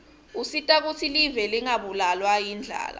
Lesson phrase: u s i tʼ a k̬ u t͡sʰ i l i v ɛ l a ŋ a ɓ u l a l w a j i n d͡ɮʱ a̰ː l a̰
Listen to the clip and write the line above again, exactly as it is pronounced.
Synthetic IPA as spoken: u s i tʼ a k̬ u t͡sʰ i l i v ɛ l i ŋ a ɓ u l a l w a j i n d͡ɮʱ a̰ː l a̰